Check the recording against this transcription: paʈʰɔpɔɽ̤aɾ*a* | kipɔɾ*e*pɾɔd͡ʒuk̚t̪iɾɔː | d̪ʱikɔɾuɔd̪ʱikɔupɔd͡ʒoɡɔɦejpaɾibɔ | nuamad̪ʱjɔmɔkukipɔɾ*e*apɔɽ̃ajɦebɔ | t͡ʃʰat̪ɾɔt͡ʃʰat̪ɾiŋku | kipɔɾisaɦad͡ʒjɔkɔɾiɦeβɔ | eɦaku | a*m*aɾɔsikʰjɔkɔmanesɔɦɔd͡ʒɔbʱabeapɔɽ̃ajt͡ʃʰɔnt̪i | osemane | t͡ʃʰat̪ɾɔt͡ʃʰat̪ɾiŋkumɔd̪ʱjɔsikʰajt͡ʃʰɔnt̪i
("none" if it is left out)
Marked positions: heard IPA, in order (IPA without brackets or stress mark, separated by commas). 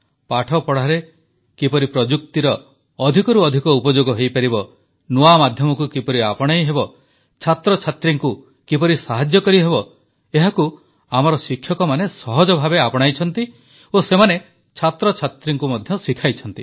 e, i, i, m